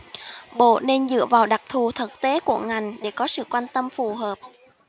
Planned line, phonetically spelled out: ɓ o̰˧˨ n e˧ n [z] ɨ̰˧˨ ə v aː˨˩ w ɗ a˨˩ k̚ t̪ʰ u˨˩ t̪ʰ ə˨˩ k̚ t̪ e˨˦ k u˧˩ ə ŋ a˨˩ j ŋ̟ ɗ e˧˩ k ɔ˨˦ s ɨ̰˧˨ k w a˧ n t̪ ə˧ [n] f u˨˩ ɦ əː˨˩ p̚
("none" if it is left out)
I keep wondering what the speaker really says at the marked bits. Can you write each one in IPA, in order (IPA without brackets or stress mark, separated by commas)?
z, m